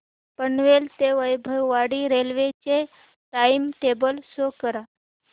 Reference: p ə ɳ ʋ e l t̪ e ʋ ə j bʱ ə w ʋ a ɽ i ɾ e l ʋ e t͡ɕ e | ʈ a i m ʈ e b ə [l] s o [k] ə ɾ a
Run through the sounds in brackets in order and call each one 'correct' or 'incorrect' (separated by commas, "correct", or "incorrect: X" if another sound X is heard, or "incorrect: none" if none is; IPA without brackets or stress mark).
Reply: correct, correct